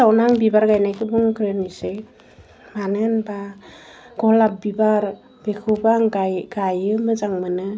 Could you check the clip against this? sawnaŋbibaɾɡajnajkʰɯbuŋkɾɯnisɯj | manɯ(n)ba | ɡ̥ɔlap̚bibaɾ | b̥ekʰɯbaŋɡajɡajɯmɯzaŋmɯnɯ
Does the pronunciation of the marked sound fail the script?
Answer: no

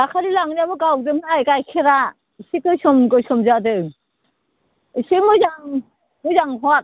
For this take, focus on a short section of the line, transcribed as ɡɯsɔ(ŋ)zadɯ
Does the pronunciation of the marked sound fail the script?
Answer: yes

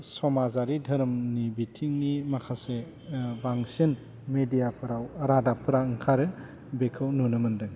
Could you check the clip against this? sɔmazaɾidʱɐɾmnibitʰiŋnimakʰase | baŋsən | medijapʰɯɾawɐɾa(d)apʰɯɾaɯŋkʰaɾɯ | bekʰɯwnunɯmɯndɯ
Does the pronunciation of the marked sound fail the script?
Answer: no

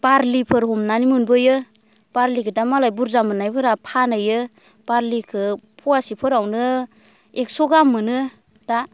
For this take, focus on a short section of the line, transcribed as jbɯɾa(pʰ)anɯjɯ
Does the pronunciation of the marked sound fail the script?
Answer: no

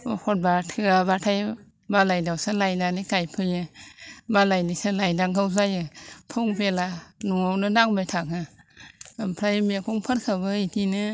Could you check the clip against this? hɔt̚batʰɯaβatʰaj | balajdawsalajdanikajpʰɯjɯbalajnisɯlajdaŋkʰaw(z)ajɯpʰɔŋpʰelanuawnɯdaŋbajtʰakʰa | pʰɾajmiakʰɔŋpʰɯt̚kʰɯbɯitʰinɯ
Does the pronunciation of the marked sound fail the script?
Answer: no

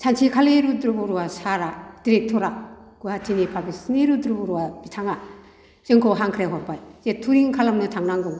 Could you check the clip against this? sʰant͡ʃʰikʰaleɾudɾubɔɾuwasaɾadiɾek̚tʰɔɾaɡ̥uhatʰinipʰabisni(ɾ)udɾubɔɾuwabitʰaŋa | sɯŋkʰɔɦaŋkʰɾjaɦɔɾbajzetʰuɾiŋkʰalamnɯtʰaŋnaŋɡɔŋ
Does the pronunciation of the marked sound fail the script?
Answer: no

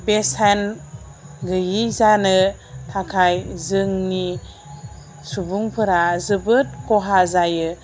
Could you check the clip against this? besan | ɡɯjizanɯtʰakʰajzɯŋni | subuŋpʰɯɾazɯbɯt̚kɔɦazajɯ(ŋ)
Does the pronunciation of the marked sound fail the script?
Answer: yes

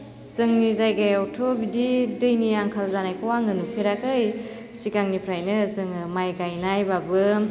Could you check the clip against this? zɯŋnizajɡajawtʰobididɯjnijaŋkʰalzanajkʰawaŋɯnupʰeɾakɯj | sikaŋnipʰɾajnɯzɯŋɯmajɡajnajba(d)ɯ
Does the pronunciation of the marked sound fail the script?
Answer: yes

